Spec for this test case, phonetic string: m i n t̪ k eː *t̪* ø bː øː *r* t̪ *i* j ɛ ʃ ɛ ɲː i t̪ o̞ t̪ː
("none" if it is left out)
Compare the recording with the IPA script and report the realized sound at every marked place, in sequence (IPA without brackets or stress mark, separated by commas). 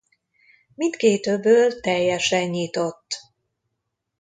t̪, l, ɛ